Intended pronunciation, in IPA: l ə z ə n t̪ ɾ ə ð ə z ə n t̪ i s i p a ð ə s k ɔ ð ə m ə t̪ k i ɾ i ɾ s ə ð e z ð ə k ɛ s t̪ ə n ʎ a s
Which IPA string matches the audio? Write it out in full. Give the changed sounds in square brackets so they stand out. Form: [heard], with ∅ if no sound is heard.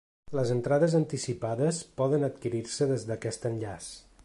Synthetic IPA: l ə z ə n t̪ ɾ [a] ð ə z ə n t̪ i s i p a ð ə s [p] ɔ ð ə [n] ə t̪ k i ɾ i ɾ s ə ð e z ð ə k ɛ s t̪ ə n ʎ a s